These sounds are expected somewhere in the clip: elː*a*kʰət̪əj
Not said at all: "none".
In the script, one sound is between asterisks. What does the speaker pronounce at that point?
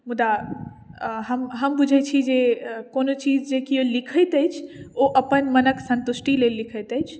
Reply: i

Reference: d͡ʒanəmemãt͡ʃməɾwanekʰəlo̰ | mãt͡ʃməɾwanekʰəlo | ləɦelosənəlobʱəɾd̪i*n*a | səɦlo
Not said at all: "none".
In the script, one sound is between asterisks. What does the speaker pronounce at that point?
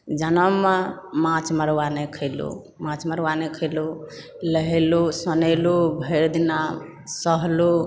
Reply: n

